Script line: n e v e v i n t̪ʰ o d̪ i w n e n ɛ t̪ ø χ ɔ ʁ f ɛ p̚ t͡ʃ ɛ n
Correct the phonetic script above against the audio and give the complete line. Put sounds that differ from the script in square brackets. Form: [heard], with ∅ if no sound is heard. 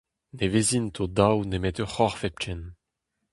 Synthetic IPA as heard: n e v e [z] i n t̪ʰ o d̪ [a] w n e [m] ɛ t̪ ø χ ɔ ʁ f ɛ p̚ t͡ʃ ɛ n